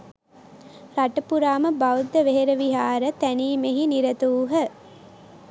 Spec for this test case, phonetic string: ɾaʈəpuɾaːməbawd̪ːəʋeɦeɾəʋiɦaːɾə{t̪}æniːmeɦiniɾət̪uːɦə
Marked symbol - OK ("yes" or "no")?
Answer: yes